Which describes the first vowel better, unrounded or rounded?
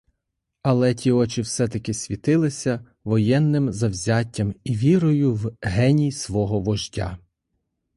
unrounded